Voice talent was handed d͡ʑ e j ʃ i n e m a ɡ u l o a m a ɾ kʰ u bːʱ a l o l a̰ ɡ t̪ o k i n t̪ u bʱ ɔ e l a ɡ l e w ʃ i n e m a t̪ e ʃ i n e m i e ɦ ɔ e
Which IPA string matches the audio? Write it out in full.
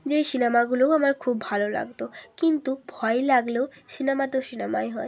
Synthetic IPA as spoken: d͡ʑ e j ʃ i n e m a ɡ u l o a m a ɾ kʰ u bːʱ a l o l a̰ ɡ t̪ o k i n t̪ u bʱ ɔ e l a ɡ l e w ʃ i n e m a t̪ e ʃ i n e m a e ɦ ɔ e